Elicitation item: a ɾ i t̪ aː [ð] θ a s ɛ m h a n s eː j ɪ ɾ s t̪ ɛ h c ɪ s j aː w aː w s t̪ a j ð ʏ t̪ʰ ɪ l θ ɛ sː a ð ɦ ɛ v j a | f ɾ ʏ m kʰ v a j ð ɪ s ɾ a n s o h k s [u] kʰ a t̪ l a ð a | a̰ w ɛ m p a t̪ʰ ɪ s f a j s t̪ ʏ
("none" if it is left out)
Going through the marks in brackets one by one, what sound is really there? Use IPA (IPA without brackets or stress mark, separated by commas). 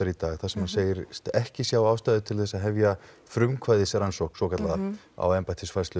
ɣ, ɔ